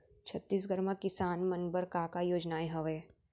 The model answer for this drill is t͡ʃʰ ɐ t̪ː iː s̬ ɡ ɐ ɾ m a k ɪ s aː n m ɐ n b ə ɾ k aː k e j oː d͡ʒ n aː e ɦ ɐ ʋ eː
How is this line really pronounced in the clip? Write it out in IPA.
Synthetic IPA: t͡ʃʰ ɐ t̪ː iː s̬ ɡ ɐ ɾ m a k ɪ s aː n m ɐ n b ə ɾ k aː k a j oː d͡ʒ n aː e ɦ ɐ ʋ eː